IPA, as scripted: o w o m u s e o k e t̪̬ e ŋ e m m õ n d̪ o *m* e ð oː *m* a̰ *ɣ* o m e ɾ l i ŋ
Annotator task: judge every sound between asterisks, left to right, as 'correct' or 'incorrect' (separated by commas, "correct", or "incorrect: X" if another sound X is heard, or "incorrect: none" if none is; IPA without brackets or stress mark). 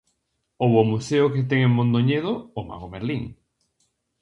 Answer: incorrect: ɲ, correct, correct